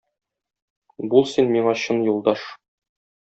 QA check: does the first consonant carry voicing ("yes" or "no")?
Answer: yes